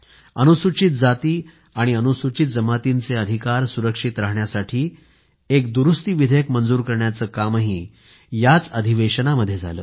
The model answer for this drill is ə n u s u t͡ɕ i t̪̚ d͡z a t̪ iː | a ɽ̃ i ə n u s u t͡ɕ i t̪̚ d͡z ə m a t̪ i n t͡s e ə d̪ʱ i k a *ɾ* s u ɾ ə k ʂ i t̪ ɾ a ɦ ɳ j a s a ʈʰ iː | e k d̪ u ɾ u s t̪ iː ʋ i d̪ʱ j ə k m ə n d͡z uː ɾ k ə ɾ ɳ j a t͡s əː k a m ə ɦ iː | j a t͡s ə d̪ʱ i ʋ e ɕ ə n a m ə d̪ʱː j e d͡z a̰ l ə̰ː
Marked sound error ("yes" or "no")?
no